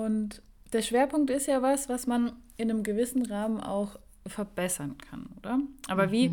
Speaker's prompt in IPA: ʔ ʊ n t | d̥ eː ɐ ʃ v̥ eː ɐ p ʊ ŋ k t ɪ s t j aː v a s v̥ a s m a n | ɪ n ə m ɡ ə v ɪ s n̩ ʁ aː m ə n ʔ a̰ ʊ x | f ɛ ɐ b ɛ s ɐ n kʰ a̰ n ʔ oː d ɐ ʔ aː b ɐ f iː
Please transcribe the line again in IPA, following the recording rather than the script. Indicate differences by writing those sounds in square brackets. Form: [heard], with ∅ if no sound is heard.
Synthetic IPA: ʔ ʊ n t | d̥ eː ɐ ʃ v̥ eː ɐ p ʊ ŋ k t ɪ s t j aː v a s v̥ a s m a n | ɪ n ə m ɡ ə v ɪ s n̩ ʁ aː m ə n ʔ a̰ ʊ x | f ɛ ɐ b ɛ s ɐ n kʰ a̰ n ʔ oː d ɐ ʔ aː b ɐ [v] iː